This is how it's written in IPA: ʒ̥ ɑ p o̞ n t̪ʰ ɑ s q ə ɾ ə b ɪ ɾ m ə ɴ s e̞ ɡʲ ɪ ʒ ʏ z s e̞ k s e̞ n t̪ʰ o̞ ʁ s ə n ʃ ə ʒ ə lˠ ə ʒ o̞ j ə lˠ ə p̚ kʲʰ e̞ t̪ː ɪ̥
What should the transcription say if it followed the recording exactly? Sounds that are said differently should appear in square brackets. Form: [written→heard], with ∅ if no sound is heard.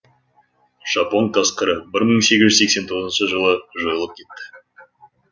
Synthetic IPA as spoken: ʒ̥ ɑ p o̞ n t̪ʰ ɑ s q ə ɾ ə b ɪ ɾ m ə ɴ s e̞ ɡʲ ɪ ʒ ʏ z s e̞ k s e̞ n t̪ʰ o̞ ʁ [s→z] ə n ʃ ə ʒ ə lˠ ə ʒ o̞ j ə lˠ ə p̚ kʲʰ e̞ t̪ː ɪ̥